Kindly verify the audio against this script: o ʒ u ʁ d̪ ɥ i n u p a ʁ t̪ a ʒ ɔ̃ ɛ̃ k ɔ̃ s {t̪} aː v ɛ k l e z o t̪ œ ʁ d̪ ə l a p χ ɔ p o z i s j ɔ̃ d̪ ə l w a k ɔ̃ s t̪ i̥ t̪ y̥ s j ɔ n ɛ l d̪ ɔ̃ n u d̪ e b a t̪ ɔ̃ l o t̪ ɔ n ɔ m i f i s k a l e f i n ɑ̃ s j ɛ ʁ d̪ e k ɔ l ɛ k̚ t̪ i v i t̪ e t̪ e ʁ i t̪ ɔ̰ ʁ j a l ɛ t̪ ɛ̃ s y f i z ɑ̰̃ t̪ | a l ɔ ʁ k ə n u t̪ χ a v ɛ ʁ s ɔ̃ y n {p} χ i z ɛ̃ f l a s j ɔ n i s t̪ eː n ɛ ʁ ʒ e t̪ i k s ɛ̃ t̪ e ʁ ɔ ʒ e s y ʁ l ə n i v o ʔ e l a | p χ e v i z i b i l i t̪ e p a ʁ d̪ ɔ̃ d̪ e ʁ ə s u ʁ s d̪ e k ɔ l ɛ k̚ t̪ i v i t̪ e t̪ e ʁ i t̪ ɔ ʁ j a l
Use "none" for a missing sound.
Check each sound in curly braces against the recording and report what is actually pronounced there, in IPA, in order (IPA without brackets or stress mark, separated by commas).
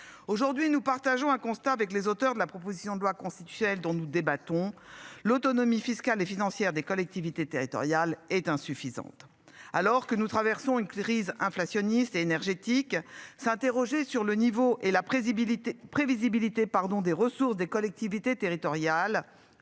t̪, k